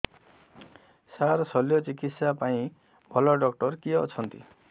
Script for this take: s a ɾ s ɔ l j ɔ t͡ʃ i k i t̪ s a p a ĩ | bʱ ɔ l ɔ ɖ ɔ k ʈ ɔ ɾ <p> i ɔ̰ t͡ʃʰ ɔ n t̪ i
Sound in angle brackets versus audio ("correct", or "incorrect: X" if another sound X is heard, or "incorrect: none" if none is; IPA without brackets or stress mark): incorrect: k